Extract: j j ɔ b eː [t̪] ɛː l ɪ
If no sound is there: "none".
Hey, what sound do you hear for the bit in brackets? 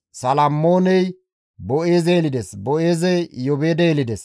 d̪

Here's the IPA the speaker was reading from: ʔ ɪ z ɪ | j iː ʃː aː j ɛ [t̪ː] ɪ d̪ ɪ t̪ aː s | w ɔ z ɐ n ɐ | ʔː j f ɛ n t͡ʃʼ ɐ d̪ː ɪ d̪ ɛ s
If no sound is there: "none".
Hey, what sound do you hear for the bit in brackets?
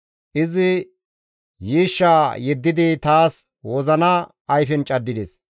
d̪ː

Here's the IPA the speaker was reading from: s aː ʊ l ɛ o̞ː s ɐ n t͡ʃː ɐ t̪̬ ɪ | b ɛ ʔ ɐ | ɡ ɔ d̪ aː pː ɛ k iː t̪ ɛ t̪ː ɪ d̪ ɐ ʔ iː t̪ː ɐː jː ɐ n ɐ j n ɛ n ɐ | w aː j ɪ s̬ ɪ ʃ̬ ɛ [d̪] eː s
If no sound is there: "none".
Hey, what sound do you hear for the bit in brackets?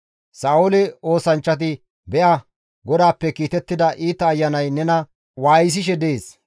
d̪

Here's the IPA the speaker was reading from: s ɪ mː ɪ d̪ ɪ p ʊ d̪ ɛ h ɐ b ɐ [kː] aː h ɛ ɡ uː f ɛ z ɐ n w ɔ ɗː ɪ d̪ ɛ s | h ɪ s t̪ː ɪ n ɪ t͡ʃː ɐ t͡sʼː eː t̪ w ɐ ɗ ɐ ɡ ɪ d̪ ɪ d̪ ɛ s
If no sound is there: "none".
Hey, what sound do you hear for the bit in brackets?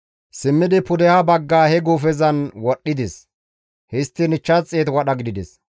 ɡː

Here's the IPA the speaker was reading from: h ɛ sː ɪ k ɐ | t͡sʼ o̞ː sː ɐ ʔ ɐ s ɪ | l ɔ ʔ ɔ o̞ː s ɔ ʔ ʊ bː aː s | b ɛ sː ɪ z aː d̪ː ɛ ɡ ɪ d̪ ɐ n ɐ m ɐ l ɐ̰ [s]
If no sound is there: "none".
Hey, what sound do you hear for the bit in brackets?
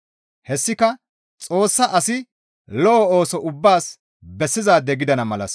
s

